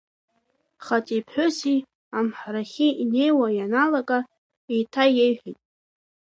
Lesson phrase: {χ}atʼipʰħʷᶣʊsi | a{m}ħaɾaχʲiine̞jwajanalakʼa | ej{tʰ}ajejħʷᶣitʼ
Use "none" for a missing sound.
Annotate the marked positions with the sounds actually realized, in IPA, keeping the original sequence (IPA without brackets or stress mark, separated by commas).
χ, m, tʰ